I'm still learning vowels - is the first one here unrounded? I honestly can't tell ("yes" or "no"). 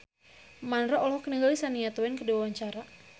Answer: yes